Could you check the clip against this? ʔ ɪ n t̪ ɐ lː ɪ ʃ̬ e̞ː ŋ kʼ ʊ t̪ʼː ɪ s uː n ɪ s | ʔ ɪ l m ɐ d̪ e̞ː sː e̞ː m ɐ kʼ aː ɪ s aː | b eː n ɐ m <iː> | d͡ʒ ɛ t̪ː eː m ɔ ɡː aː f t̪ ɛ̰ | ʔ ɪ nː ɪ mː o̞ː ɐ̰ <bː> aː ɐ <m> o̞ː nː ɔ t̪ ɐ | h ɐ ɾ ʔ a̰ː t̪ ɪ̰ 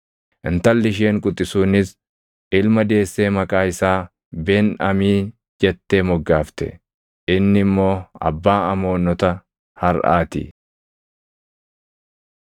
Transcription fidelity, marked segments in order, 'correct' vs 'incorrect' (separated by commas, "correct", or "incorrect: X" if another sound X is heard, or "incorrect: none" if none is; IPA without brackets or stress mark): correct, correct, correct